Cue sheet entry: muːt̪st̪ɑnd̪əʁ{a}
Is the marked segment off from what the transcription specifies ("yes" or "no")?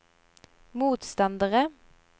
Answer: yes